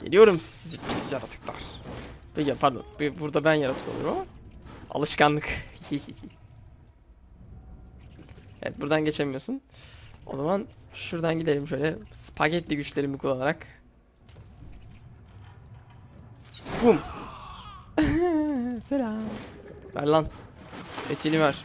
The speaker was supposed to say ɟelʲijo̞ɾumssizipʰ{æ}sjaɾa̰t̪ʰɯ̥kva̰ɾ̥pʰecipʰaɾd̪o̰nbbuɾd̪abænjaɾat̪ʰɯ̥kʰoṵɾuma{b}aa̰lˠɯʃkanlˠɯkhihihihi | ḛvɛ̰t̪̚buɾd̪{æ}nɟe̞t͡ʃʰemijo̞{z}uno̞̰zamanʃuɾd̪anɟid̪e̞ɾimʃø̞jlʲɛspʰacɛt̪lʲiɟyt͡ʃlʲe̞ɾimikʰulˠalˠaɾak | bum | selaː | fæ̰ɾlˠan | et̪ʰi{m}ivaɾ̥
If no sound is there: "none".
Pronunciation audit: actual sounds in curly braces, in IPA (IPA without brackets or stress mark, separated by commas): i, m, a, s, n